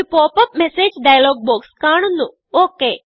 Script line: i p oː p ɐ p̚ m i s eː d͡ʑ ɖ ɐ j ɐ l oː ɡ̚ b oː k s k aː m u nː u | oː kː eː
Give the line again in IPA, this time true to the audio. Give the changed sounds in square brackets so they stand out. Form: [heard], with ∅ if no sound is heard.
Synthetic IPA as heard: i p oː p ɐ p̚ m [e] s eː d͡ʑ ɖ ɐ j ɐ l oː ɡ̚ b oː k s k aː [ɳ] u nː u | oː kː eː